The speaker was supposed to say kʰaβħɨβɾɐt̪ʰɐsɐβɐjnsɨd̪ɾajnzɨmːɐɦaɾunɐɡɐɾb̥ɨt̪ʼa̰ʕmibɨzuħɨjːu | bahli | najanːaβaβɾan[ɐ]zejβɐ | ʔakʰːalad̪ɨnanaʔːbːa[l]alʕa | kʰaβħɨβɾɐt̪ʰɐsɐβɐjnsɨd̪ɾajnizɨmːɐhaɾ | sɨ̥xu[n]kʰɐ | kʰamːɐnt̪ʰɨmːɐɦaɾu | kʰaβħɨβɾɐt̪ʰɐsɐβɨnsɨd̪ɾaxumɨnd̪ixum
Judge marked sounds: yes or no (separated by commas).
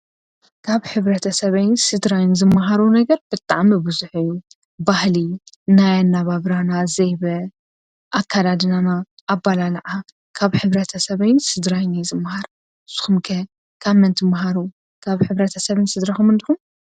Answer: no, yes, no